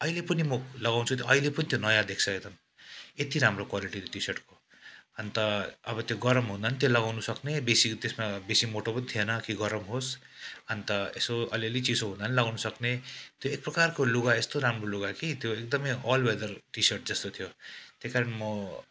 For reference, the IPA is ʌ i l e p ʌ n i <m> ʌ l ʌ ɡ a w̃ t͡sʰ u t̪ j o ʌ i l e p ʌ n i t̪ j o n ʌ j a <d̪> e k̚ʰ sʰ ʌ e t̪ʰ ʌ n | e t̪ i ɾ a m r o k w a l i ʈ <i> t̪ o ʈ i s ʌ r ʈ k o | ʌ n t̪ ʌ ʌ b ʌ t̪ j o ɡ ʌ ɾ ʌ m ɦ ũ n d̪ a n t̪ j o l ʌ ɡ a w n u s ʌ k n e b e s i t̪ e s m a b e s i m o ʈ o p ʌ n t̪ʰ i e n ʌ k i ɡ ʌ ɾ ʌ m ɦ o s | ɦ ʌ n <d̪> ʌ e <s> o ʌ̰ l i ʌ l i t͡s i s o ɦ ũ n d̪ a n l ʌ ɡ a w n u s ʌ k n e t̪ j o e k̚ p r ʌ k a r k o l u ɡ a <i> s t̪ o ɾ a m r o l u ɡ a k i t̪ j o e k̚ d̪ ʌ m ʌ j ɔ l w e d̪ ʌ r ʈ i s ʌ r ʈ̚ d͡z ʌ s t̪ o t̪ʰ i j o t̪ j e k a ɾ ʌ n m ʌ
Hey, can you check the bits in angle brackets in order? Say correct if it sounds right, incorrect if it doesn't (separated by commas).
correct, correct, correct, incorrect, correct, incorrect